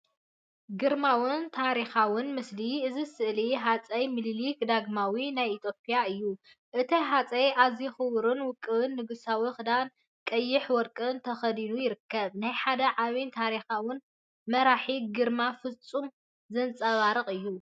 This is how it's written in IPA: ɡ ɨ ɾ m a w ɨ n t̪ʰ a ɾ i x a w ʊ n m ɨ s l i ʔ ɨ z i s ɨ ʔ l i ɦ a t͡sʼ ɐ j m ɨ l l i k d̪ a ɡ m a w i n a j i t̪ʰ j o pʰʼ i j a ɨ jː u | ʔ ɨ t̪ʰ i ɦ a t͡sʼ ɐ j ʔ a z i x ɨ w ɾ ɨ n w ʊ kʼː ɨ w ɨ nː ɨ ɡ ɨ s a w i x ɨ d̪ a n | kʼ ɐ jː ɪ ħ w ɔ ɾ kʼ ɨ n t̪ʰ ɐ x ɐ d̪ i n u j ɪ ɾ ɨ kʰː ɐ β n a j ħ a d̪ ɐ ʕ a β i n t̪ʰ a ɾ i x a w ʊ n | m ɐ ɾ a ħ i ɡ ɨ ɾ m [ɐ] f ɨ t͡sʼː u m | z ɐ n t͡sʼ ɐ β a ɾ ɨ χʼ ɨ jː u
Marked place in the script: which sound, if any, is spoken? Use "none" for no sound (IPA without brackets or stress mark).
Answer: a